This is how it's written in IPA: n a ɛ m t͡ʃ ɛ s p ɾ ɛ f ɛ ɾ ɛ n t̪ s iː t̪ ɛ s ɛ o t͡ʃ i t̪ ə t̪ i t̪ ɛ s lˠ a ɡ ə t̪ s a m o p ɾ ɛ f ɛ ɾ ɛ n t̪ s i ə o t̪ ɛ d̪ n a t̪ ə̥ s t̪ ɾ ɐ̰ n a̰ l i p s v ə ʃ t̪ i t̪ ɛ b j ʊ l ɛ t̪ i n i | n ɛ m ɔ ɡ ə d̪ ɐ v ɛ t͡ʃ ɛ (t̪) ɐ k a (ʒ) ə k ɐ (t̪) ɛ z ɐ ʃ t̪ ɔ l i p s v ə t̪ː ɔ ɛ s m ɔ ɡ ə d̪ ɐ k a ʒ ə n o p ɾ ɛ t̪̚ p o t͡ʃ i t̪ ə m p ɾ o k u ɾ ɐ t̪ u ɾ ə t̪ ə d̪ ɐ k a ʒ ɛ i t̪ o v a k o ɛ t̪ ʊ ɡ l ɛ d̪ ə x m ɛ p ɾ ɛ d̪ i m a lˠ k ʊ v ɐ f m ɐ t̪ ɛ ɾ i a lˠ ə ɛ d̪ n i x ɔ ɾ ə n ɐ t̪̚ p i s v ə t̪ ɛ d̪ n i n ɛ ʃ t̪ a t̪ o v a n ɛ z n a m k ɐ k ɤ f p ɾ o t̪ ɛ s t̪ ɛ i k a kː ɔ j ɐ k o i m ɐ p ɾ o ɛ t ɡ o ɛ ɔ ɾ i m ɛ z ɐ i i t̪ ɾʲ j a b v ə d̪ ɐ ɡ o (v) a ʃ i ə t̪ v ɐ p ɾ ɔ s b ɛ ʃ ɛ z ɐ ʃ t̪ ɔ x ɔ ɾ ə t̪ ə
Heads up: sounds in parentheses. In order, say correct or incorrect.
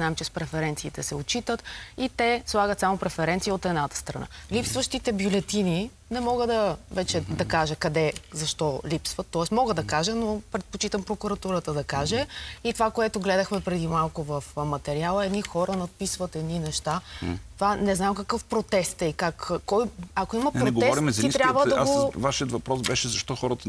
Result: incorrect: d̪, correct, incorrect: d̪, correct

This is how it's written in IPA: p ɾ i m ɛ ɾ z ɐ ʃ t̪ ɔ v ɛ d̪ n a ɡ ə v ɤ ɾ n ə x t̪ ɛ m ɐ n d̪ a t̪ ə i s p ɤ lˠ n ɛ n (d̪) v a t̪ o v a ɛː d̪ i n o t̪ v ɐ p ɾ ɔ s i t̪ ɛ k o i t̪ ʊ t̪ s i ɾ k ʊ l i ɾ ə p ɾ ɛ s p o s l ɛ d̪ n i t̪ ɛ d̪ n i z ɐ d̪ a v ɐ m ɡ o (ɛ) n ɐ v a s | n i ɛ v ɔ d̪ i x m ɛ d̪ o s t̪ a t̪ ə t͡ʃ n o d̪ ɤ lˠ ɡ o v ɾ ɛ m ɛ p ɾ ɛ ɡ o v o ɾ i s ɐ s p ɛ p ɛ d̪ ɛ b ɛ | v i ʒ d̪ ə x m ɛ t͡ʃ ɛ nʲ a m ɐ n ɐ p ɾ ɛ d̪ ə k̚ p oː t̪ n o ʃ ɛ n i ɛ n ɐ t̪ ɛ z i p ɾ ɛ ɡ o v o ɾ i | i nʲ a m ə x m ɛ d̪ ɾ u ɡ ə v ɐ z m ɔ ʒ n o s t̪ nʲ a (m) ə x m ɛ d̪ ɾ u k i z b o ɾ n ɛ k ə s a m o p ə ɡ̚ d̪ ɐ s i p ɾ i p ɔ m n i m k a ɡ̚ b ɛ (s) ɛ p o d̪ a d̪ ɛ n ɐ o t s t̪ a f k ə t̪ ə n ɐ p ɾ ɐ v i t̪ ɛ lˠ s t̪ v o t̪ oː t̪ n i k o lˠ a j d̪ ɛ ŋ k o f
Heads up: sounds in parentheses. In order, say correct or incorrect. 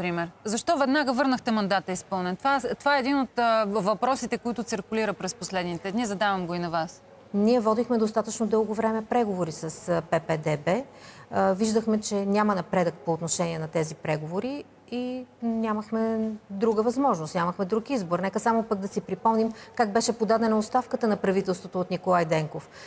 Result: incorrect: t̪, incorrect: i, correct, incorrect: ʃ

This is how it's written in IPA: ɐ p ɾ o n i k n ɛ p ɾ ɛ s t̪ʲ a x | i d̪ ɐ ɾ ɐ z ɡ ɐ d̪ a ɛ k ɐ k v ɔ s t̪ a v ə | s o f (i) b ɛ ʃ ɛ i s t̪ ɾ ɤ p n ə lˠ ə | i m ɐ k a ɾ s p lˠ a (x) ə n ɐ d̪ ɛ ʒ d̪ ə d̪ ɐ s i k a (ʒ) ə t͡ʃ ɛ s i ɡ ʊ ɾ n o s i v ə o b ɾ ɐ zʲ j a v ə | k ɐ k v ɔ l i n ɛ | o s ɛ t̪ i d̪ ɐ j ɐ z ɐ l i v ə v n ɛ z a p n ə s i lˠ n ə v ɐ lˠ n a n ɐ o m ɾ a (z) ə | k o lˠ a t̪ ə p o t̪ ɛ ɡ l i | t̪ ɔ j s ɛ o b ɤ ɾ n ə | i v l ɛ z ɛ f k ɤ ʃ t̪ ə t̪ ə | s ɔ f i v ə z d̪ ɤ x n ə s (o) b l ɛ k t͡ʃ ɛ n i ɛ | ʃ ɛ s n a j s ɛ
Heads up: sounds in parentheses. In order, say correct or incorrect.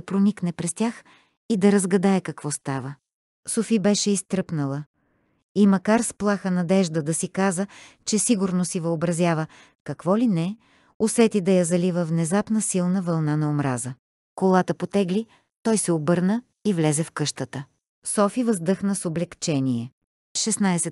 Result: correct, correct, incorrect: z, correct, correct

